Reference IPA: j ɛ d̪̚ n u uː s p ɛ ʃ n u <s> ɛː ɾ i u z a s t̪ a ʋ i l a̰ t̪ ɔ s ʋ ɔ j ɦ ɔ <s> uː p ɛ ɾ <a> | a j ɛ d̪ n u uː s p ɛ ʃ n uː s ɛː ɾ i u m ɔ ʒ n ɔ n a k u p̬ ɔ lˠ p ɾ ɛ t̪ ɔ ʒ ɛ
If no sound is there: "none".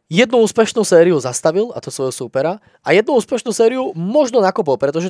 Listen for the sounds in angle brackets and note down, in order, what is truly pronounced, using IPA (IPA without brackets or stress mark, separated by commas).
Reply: s, s, a